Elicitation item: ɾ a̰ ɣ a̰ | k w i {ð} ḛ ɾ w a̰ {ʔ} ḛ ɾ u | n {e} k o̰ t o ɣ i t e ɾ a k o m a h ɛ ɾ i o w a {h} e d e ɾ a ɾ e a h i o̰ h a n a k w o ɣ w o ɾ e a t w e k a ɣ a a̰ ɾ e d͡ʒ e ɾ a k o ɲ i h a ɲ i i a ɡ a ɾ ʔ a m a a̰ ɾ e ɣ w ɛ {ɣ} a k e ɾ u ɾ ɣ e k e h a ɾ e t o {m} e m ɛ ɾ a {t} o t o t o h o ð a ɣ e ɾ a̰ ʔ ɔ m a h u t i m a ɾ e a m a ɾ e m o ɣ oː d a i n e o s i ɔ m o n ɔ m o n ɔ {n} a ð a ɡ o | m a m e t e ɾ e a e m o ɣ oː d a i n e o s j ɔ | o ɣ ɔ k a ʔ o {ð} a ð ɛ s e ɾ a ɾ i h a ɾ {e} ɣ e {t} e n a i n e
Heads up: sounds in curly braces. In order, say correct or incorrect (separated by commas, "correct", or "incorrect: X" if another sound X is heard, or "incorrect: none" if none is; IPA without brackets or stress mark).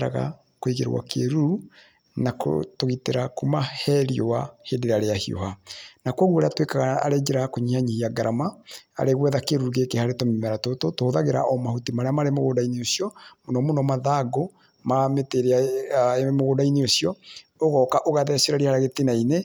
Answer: incorrect: ɣ, incorrect: k, incorrect: a, correct, incorrect: ð, correct, correct, incorrect: m, incorrect: ɣ, incorrect: a, correct